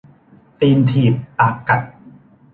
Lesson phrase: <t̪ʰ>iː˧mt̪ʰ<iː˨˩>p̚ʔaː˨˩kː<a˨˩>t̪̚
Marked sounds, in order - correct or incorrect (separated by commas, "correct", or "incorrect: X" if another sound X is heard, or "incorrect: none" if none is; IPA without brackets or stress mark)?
incorrect: t̪, correct, correct